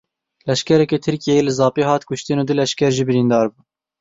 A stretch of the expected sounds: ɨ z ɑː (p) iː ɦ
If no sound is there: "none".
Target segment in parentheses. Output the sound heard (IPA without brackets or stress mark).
p